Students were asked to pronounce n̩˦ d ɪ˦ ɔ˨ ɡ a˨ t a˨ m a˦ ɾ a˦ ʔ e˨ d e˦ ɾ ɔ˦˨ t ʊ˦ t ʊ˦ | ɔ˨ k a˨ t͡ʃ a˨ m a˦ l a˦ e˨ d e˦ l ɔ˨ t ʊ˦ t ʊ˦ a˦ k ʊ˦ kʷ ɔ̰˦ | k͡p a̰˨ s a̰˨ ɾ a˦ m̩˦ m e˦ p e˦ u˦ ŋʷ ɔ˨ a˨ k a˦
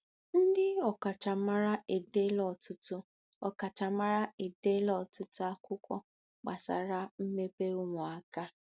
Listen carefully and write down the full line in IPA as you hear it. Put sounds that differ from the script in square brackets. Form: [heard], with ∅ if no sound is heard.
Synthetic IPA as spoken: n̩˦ d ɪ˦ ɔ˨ [k] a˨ [t͡ʃ] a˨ m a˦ ɾ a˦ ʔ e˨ d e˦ [l] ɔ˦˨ t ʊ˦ t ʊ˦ | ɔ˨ k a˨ t͡ʃ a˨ m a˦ [ɾ] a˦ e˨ d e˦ l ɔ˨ t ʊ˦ t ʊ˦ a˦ k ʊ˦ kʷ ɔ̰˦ | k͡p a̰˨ s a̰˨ ɾ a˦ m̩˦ m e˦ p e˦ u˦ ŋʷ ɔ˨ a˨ k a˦